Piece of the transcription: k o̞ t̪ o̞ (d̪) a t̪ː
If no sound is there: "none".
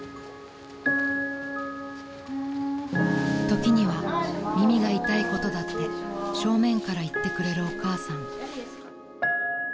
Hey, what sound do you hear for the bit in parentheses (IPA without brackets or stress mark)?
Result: d̪